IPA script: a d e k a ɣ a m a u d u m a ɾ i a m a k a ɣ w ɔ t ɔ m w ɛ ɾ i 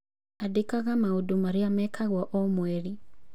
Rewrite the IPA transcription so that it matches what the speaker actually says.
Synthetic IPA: a d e k a ɣ a m a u d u m a ɾ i a m ɛ k a ɣ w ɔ ʔ ɔ m w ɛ ɾ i